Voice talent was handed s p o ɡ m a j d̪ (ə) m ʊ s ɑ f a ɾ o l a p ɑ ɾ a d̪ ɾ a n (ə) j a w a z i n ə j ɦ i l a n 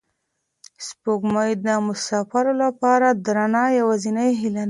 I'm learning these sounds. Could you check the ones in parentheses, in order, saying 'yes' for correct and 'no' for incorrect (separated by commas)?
yes, no